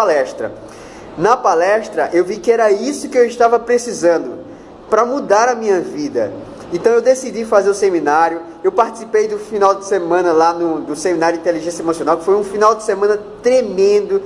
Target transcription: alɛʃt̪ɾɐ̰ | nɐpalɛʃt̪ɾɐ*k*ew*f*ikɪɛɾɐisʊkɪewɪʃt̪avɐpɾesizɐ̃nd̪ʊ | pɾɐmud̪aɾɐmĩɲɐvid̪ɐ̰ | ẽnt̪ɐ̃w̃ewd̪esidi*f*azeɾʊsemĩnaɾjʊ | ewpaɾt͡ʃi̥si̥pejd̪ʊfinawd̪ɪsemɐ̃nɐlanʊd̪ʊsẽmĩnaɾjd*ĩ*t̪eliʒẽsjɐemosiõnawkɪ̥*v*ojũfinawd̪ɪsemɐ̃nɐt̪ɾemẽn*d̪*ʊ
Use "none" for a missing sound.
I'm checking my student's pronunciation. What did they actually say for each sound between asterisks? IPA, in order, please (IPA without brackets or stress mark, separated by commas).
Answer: ʔ, v, f, ĩ, f, d̪